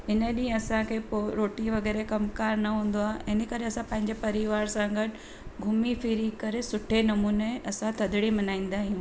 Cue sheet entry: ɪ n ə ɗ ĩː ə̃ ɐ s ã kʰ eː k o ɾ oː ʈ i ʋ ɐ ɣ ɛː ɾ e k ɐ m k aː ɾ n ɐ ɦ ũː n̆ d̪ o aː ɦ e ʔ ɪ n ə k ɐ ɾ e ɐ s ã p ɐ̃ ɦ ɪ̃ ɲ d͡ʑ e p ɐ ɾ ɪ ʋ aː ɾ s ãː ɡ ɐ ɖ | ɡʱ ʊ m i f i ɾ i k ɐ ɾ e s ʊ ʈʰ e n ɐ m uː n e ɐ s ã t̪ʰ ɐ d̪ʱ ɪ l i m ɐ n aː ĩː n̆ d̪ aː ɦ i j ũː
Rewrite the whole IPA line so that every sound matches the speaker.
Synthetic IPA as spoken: ɪ n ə ɗ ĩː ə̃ ɐ s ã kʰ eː p o ɾ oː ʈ i ʋ ɐ ɣ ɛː ɾ e k ɐ m k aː ɾ n ɐ ɦ ũː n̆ d̪ o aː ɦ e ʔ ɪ n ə k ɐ ɾ e ɐ s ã p ɐ̃ ɦ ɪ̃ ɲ d͡ʑ e p ɐ ɾ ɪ ʋ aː ɾ s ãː ɡ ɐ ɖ | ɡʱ ʊ m i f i ɾ i k ɐ ɾ e s ʊ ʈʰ e n ɐ m uː n e ɐ s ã t̪ʰ ɐ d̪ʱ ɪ ɽ i m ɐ n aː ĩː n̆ d̪ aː ɦ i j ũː